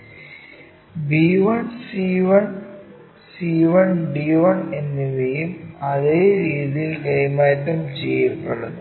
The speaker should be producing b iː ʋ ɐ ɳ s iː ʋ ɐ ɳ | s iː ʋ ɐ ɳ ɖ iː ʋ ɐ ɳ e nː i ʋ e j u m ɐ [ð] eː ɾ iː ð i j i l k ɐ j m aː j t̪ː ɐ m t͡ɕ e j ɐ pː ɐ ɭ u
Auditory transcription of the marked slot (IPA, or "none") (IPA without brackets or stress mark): ð